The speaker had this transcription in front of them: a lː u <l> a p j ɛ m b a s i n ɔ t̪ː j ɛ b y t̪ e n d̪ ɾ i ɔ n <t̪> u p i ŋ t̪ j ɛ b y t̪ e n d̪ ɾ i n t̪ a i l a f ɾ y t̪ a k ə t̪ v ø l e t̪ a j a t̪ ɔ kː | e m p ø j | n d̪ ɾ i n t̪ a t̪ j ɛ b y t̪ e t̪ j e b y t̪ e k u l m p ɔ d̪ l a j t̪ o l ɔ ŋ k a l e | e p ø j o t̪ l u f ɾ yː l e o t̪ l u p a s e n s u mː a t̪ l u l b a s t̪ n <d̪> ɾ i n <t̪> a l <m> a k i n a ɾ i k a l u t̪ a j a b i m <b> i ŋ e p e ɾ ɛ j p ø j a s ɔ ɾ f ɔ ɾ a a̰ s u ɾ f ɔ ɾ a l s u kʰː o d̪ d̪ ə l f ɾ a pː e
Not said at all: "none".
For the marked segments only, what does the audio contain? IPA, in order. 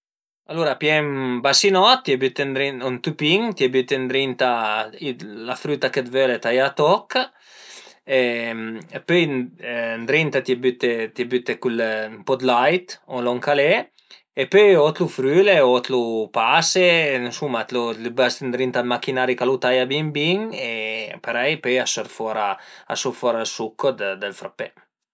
ɾ, t̪, d̪, t̪, m, b

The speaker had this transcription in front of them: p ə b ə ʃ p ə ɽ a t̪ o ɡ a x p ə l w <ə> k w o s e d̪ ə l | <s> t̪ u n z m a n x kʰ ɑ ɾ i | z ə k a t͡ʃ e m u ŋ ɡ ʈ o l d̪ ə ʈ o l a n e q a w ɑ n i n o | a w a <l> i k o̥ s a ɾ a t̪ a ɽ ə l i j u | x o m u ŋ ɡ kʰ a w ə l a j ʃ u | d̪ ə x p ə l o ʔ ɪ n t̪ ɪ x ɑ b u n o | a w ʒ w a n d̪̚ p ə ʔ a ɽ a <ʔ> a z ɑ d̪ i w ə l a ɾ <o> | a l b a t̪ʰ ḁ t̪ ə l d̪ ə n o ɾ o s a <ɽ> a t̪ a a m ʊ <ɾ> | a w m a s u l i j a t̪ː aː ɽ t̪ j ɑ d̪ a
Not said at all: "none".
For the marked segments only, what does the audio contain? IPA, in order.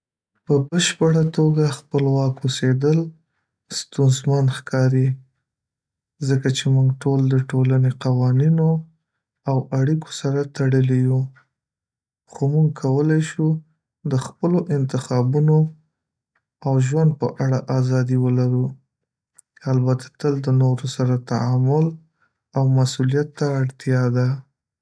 ɑ, s, ɽ, ʔ, u, ɾ, l

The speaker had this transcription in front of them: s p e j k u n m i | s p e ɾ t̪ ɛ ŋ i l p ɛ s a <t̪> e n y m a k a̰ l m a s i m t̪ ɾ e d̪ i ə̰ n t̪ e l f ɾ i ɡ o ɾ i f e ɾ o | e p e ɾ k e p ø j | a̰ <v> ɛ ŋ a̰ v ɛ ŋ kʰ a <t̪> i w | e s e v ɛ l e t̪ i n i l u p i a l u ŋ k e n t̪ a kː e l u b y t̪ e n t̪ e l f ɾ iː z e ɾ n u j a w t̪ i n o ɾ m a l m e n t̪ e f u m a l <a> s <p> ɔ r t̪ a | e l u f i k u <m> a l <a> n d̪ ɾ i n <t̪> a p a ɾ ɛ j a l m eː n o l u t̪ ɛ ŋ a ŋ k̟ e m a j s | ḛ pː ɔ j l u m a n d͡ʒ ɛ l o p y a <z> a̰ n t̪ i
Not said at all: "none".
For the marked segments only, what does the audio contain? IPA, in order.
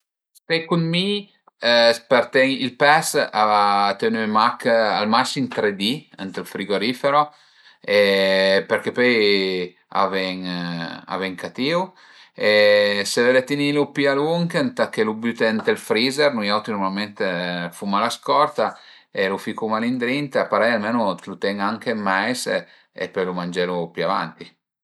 t̪, v, t̪, a, k, m, i, t̪, v

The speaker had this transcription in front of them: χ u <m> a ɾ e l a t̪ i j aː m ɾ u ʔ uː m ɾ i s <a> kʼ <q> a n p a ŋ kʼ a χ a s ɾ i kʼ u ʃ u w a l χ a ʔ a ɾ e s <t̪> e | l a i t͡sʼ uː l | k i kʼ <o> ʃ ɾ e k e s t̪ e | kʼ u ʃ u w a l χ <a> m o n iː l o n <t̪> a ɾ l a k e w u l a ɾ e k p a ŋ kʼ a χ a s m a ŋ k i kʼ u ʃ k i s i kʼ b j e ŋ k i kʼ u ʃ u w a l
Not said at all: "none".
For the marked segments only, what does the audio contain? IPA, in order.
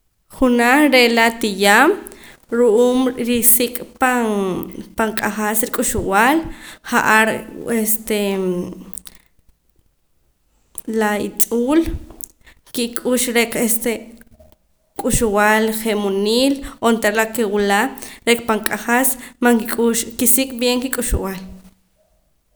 n, i, p, t̪, u, e, t̪

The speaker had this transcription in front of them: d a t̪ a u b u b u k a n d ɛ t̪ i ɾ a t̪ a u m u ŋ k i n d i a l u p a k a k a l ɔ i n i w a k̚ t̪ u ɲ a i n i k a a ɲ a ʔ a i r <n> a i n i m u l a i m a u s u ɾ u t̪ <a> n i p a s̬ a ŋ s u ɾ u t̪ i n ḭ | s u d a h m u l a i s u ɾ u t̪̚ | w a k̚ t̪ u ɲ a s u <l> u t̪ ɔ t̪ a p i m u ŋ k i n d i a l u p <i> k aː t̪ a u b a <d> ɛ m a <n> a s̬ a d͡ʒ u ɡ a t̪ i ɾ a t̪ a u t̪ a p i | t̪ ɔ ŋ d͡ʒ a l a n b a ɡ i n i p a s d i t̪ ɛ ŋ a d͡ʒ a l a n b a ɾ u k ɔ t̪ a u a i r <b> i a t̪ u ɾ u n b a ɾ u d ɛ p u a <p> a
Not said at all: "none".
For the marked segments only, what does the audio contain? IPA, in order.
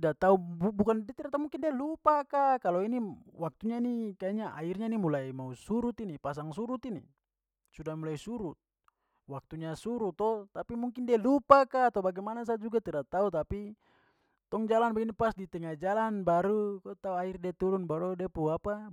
ɲ, i, ɾ, a, ɡ, n, d, p

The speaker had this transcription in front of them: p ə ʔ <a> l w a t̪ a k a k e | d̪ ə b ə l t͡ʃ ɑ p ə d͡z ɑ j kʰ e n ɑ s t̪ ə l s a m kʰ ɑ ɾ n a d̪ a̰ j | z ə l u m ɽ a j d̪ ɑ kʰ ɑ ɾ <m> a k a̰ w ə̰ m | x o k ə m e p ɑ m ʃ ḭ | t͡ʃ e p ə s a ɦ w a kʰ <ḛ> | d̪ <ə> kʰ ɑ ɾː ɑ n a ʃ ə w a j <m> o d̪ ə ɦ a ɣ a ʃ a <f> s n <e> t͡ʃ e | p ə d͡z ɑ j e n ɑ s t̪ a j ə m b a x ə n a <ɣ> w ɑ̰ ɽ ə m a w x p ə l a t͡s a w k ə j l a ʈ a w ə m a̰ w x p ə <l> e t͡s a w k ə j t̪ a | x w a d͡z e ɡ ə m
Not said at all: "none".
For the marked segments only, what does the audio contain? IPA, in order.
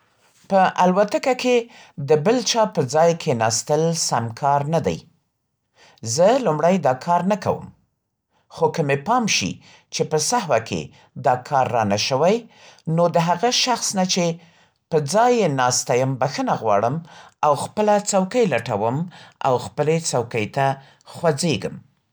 a, n, ḛ, ɑ, n, x, a, ɣ, l

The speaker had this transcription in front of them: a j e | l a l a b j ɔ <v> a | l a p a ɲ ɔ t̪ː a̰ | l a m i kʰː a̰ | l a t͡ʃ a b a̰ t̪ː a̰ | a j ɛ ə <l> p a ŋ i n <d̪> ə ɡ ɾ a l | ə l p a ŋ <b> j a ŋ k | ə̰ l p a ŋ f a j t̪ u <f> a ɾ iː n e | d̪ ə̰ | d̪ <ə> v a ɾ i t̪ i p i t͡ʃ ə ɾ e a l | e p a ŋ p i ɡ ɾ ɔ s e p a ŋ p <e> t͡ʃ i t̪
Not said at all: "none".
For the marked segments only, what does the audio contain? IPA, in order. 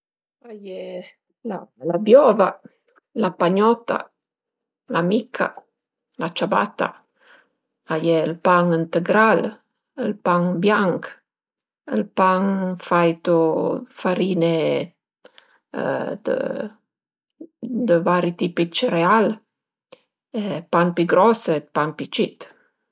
v, l, t̪, b, f, ə, i

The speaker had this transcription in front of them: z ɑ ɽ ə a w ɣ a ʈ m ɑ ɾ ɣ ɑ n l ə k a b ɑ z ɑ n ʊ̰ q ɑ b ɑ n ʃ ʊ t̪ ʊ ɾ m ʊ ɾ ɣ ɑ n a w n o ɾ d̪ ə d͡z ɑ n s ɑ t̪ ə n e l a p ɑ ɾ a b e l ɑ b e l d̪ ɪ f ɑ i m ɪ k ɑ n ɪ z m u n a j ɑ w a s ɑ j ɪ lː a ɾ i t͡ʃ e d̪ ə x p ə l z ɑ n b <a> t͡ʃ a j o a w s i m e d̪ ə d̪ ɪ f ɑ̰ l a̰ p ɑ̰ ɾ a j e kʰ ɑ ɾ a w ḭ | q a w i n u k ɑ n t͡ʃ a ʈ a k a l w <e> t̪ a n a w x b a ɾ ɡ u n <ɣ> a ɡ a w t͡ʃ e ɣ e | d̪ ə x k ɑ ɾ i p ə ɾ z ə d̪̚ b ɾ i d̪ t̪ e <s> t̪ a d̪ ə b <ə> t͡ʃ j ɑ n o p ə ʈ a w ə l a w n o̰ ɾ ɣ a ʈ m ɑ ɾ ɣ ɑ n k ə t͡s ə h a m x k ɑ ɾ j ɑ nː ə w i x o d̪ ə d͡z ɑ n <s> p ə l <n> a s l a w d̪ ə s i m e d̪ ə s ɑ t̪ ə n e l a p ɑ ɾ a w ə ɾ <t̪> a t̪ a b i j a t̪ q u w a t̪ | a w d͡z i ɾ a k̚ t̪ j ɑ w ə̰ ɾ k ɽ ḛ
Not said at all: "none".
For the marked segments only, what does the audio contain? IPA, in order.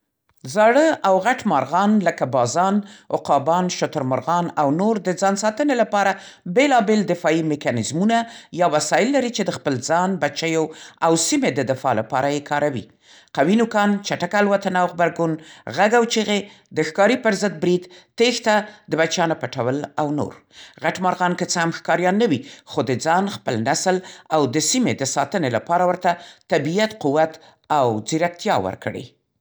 a, a, ɣ, x, a, x, n, t̪

